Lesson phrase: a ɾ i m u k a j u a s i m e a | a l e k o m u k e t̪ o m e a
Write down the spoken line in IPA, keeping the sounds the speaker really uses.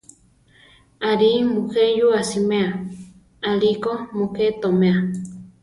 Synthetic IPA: a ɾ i m u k e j u a s i m e a | a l i k o m u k e t̪ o m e a